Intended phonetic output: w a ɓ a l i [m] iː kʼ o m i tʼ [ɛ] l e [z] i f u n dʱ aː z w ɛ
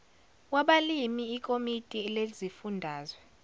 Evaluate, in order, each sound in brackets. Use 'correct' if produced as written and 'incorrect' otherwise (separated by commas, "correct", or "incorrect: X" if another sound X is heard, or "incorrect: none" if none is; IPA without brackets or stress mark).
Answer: correct, incorrect: i, correct